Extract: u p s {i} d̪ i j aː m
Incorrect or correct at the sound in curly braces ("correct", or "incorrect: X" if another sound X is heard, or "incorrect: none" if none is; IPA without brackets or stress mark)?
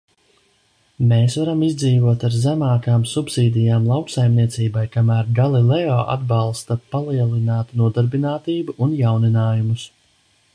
incorrect: iː